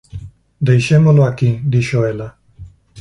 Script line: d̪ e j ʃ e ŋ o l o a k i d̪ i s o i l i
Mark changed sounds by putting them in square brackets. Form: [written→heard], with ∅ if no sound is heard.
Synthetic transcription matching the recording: d̪ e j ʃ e [ŋ→m] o l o a k i d̪ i [s→ʃ] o [i→e] l [i→a]